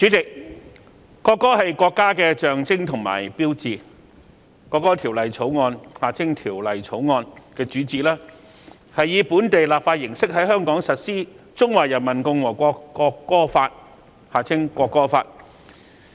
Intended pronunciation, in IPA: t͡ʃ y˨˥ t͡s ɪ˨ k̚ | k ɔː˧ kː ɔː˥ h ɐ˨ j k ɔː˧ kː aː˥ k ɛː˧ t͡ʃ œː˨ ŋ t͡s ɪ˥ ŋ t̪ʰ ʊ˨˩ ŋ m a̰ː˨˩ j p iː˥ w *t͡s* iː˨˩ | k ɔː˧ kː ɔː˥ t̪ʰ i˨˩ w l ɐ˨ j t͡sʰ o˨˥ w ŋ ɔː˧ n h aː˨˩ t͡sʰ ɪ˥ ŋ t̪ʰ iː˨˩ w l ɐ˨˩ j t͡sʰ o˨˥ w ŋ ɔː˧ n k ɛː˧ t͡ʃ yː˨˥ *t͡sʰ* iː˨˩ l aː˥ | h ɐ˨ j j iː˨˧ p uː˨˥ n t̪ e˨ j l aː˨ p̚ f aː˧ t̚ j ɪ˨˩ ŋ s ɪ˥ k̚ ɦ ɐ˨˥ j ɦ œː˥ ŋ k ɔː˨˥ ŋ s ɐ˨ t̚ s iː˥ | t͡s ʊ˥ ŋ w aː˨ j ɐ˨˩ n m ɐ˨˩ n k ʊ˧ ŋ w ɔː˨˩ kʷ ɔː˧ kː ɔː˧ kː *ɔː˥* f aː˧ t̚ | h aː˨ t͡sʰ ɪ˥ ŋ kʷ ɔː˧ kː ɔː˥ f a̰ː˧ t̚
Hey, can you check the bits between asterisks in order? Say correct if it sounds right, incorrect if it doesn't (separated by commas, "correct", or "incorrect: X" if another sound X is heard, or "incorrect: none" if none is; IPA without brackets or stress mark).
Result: correct, incorrect: t͡s, correct